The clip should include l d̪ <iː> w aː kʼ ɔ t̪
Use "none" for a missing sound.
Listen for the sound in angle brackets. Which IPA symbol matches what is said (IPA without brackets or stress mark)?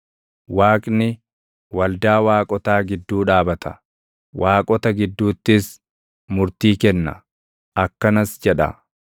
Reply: aː